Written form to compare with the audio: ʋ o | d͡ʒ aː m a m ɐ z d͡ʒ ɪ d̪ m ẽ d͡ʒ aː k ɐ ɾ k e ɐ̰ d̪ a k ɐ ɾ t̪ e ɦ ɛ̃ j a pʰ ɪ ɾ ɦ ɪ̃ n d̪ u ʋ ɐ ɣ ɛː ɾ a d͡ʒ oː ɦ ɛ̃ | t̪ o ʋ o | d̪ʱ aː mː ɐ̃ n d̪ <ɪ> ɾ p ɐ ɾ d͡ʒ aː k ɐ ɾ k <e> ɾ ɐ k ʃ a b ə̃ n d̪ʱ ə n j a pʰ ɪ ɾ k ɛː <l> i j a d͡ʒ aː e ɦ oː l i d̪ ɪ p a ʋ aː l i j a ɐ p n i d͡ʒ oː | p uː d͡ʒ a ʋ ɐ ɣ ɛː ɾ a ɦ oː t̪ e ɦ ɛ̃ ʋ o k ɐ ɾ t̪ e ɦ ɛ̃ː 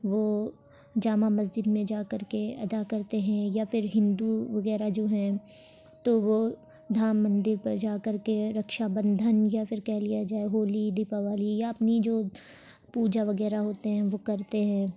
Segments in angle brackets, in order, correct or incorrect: correct, correct, correct

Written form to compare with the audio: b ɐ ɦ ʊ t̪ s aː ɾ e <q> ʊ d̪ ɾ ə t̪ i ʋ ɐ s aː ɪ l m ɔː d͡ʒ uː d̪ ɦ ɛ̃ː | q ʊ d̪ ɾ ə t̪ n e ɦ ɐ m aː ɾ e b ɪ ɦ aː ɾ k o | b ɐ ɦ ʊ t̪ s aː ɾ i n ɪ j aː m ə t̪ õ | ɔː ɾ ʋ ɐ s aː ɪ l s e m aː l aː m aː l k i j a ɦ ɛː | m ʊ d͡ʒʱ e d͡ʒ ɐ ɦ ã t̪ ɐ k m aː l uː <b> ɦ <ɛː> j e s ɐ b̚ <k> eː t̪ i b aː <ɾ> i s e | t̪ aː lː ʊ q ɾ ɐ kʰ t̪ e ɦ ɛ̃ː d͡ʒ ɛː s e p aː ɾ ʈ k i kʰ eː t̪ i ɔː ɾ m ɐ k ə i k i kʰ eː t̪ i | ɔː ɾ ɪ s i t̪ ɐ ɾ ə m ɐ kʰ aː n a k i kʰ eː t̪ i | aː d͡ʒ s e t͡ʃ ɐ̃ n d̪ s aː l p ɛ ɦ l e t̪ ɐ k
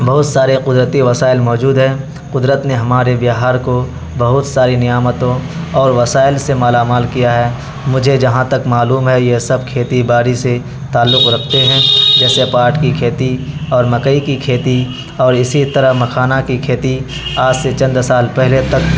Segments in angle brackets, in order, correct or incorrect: correct, incorrect, incorrect, incorrect, correct

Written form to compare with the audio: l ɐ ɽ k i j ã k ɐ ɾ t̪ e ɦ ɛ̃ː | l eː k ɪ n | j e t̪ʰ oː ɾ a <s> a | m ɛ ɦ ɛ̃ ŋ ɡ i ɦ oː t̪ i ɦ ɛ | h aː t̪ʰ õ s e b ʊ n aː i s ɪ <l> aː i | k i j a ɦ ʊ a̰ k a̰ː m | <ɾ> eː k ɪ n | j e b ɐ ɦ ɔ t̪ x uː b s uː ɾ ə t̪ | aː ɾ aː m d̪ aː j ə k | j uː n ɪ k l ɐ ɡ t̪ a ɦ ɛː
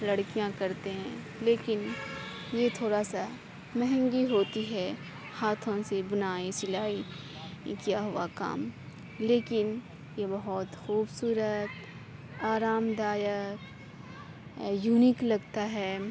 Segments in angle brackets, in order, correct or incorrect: correct, correct, incorrect

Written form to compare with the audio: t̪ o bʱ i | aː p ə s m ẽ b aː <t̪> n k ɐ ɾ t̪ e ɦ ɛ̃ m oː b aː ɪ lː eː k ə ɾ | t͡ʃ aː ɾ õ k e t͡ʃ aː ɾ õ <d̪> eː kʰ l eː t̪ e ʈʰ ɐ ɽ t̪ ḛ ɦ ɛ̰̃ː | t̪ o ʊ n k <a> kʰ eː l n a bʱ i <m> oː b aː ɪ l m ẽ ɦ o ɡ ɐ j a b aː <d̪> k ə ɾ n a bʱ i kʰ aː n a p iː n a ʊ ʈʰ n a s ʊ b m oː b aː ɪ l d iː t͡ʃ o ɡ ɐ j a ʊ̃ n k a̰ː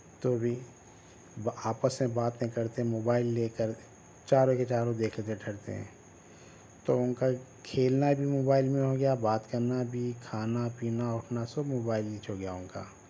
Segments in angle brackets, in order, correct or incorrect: correct, correct, correct, correct, incorrect

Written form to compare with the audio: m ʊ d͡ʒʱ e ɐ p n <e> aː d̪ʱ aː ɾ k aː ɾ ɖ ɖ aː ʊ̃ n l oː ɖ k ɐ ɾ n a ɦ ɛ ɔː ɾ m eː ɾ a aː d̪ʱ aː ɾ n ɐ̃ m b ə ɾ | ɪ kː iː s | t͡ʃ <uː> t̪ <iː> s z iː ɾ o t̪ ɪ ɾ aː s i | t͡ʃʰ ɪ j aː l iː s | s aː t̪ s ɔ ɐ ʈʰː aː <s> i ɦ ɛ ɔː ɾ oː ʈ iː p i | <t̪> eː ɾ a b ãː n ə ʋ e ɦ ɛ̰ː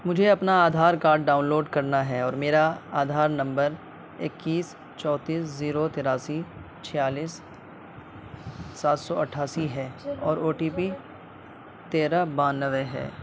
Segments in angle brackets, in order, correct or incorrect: incorrect, incorrect, correct, correct, correct

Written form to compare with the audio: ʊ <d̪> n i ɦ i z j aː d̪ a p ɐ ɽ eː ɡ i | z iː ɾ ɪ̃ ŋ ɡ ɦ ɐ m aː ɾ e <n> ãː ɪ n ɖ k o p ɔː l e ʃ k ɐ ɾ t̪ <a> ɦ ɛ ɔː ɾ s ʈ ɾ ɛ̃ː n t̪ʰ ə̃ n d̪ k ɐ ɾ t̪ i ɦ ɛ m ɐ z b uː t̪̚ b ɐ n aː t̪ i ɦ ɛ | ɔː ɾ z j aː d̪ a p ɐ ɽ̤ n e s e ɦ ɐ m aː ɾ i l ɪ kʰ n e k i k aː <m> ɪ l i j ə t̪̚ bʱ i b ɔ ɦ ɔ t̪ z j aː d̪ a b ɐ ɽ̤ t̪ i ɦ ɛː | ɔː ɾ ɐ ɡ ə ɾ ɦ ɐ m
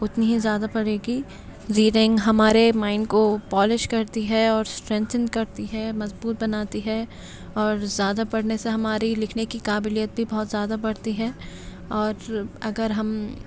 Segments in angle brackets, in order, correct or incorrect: incorrect, incorrect, incorrect, incorrect

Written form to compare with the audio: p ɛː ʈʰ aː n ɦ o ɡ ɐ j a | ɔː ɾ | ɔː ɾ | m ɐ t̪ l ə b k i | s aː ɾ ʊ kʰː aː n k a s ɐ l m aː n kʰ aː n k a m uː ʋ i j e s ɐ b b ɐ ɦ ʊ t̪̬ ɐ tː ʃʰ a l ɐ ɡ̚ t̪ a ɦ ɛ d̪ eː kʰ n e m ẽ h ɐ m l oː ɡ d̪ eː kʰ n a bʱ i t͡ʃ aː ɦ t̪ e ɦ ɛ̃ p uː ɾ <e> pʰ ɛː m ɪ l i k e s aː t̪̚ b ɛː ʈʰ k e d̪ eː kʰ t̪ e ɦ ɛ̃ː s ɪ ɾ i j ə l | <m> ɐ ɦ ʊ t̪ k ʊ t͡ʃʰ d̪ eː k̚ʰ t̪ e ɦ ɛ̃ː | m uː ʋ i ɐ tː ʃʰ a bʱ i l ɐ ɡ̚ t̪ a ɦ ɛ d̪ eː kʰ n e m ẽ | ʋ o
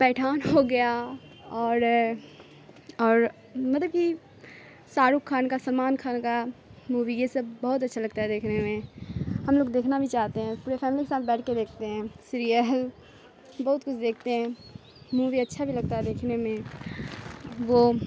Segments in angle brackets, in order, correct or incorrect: correct, incorrect

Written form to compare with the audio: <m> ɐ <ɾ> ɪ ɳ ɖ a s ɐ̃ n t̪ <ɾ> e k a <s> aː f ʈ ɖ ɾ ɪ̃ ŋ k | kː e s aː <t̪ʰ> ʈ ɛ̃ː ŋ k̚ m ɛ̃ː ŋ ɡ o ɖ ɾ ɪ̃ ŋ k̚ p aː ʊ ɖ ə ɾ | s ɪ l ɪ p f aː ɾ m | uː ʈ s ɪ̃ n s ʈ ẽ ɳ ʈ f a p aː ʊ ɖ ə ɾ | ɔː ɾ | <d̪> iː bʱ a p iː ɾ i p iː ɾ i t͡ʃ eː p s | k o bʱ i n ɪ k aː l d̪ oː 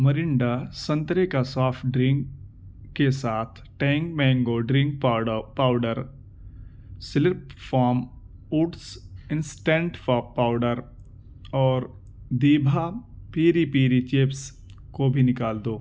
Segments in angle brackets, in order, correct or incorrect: correct, correct, correct, correct, correct, correct

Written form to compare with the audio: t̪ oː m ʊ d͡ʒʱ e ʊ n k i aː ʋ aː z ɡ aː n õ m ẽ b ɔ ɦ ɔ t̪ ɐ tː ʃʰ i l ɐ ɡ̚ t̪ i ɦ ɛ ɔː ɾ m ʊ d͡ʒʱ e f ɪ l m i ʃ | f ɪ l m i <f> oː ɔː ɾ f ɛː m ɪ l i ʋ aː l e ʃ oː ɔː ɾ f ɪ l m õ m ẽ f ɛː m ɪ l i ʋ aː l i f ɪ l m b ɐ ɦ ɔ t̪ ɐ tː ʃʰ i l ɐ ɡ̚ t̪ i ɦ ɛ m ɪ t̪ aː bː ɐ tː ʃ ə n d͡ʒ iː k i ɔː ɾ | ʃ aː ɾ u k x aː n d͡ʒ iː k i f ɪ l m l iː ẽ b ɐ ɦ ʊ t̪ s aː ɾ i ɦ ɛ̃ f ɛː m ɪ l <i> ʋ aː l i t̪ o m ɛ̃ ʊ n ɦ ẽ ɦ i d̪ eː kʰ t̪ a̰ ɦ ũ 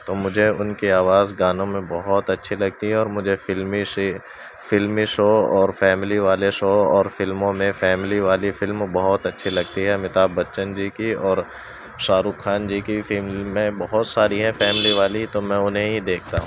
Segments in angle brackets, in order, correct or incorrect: incorrect, correct

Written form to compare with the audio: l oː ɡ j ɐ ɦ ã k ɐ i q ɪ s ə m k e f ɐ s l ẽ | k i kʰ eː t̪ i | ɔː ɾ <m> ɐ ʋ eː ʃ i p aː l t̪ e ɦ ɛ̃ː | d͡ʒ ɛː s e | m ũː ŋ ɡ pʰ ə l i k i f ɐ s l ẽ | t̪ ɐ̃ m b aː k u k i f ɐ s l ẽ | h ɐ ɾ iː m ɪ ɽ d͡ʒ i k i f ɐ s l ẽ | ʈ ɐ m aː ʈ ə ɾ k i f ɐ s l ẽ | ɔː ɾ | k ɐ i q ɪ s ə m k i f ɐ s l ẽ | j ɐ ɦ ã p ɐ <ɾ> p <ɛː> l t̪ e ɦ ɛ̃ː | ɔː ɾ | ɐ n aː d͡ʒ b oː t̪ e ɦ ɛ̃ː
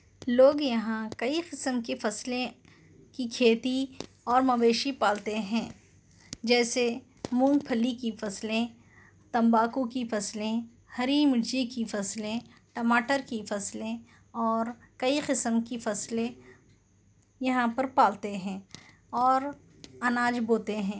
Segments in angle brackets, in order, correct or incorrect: correct, correct, incorrect

